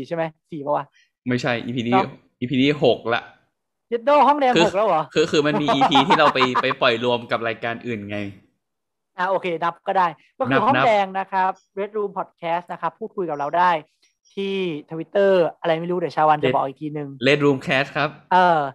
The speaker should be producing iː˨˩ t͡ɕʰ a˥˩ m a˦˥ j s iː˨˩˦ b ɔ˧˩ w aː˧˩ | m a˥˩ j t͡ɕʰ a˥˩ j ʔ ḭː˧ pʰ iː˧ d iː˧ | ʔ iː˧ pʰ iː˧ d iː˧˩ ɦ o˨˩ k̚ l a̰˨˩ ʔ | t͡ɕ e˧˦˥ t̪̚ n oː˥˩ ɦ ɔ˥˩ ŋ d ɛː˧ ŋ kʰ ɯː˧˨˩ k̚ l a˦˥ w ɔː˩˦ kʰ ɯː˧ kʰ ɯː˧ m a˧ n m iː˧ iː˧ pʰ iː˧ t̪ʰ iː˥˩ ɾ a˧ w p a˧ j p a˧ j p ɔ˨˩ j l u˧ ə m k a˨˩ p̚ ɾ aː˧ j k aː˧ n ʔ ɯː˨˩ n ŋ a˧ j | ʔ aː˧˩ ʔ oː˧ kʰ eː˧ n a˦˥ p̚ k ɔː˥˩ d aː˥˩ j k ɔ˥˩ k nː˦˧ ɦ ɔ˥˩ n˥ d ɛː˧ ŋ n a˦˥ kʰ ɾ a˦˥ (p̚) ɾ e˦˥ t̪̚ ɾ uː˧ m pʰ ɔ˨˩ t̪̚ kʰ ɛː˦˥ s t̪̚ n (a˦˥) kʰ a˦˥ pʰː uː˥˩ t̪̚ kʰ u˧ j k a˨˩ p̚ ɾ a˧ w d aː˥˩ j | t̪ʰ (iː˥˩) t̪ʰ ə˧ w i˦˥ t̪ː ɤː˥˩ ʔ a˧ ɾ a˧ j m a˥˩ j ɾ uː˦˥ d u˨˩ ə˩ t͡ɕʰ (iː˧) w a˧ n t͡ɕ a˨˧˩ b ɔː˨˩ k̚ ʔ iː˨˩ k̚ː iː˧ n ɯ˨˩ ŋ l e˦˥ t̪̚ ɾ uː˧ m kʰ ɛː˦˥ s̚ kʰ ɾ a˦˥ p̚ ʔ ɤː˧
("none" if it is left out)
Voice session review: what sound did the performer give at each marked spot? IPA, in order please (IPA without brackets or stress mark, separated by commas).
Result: p̚, a˦˥, iː˥˩, aː˧